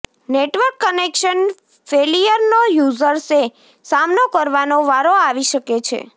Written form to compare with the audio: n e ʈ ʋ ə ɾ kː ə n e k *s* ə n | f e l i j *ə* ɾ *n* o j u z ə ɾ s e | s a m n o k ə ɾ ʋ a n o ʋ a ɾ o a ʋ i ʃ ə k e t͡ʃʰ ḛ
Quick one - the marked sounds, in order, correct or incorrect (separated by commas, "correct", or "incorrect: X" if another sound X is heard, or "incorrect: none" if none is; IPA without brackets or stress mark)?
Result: incorrect: ʃ, correct, correct